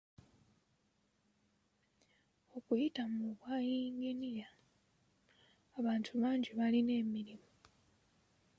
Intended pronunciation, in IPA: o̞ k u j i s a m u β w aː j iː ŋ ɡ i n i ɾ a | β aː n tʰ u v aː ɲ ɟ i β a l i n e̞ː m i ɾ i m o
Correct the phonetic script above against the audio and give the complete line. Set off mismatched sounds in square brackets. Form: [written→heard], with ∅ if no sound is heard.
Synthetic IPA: o̞ k u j i [s→t] a m u β w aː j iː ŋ ɡ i n i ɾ a | β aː n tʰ u [v→β] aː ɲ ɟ i β a l i n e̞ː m i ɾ i m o